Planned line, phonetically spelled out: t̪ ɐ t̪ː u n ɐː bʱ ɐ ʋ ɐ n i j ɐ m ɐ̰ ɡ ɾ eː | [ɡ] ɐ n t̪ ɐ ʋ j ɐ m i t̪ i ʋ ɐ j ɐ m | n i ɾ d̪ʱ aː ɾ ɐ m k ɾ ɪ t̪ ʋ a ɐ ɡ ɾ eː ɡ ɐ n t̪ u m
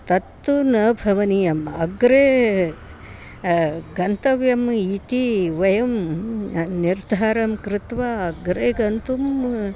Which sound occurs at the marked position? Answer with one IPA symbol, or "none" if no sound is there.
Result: ɡ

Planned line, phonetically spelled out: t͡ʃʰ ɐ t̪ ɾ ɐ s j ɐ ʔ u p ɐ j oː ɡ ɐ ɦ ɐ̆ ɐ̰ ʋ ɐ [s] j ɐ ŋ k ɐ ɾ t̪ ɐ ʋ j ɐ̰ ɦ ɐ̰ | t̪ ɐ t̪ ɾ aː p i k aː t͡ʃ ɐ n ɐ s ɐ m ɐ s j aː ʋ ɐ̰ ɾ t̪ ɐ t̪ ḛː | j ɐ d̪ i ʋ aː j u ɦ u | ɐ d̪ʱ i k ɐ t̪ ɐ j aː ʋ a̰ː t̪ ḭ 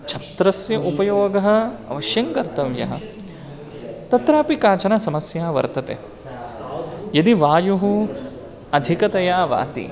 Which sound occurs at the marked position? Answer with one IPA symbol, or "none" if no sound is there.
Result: ʃ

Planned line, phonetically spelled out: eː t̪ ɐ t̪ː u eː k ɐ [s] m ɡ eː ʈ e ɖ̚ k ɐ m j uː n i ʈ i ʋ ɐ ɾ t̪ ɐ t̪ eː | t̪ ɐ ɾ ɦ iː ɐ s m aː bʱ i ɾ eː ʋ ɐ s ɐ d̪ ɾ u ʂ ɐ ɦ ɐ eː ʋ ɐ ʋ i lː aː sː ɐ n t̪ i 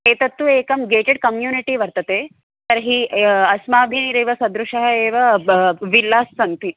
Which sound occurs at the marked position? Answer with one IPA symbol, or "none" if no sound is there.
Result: none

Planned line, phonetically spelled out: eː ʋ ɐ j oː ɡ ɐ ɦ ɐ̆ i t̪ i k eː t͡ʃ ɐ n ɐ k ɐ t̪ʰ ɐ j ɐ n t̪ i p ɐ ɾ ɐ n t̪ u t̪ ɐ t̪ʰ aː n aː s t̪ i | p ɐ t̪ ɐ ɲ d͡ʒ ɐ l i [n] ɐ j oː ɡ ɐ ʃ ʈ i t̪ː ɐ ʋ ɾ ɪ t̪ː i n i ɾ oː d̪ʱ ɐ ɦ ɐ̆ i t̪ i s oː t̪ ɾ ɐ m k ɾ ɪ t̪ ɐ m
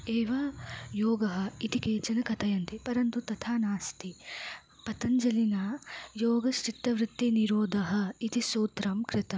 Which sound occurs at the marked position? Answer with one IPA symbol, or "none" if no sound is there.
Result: n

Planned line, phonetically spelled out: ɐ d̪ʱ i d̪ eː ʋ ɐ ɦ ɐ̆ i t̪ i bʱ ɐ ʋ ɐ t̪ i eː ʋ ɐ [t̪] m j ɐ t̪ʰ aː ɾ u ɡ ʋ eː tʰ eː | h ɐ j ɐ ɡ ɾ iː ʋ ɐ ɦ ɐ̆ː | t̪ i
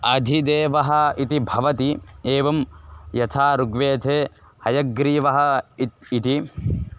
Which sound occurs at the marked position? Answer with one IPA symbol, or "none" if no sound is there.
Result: none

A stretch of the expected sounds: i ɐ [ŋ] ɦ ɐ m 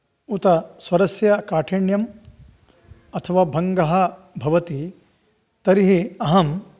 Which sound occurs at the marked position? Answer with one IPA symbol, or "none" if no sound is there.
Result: none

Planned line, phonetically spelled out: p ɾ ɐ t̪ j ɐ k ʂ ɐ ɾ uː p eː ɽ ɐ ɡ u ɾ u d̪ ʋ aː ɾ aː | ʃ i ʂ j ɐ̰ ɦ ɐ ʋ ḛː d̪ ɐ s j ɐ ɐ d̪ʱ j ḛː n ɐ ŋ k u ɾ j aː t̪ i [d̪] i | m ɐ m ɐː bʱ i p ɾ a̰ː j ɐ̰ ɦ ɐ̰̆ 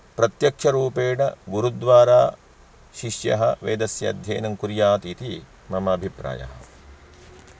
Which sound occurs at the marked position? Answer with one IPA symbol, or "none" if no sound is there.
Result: t̪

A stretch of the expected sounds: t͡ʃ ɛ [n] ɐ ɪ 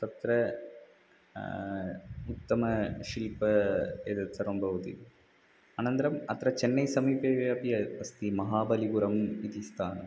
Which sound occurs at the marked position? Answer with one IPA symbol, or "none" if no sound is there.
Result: nː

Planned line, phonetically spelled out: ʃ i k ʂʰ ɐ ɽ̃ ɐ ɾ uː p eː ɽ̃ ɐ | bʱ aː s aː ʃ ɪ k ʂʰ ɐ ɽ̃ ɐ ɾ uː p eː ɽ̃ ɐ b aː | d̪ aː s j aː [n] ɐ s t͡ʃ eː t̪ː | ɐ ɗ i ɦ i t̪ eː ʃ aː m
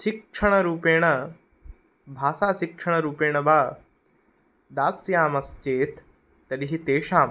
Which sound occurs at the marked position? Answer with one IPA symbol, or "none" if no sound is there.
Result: m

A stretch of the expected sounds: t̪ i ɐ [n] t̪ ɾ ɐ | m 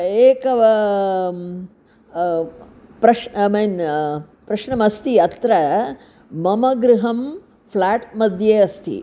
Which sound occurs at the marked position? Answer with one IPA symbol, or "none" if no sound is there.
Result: none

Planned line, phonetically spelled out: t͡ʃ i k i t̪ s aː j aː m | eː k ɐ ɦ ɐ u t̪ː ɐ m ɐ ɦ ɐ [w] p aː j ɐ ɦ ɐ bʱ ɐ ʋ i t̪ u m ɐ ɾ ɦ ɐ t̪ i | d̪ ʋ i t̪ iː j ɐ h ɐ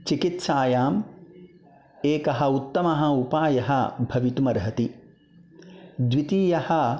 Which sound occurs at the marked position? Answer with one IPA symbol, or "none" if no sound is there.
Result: u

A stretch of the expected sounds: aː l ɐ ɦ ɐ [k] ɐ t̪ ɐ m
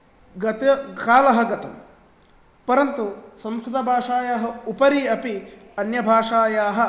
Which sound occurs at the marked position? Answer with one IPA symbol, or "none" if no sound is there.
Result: ɡ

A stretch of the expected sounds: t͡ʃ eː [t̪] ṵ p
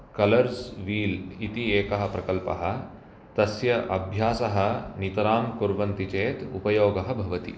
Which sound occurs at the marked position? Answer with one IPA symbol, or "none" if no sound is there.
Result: t̪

